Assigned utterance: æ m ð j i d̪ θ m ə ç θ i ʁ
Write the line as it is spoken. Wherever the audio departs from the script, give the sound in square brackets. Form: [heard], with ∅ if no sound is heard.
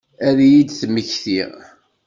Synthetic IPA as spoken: æ [∅] ð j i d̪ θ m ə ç θ i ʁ